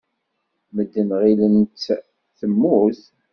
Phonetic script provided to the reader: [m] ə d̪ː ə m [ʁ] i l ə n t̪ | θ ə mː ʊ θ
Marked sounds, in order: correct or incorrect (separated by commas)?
correct, correct